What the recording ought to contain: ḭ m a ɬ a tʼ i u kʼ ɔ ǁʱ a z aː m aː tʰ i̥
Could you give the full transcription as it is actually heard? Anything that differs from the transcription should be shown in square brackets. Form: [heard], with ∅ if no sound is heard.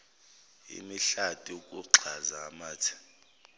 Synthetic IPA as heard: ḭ m [i] ɬ a tʼ i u kʼ [u] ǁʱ a z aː m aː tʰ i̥